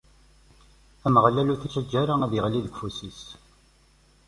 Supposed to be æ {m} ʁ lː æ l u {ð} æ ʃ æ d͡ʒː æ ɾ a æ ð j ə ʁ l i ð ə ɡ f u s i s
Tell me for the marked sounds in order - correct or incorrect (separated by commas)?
correct, incorrect